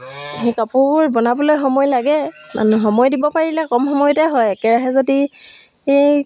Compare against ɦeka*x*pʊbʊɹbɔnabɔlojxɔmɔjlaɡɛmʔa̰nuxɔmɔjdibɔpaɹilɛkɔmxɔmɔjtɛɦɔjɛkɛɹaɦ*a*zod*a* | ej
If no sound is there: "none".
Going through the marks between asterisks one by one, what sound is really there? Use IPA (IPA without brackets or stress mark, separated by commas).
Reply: none, ɛ, i